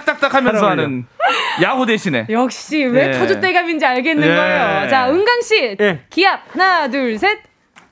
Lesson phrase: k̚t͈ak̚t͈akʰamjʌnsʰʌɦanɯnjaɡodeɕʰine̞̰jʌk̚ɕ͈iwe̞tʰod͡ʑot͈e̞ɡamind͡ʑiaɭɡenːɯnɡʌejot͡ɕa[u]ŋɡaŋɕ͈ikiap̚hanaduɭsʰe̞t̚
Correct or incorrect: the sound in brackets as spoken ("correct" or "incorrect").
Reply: incorrect